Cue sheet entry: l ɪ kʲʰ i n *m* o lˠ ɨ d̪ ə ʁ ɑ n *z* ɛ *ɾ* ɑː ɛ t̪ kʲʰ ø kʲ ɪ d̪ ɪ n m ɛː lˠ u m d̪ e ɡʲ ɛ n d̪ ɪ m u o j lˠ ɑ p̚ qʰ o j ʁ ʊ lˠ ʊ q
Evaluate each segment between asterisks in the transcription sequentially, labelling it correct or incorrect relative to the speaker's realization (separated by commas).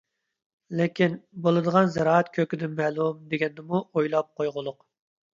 incorrect, correct, correct